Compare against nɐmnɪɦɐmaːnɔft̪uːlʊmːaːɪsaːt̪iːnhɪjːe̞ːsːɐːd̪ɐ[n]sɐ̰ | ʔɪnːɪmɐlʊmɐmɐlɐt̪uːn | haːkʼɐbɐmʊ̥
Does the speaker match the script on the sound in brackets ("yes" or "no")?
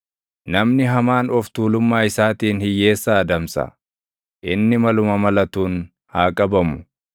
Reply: no